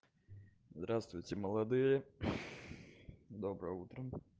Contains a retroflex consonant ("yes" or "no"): no